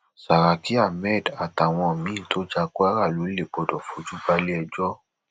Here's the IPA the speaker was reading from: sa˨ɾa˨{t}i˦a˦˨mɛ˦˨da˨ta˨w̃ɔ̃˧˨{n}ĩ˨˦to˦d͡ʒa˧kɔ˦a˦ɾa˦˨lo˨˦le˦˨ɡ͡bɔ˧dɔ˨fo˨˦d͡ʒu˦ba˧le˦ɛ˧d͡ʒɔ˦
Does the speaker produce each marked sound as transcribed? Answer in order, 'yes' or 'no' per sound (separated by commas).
no, no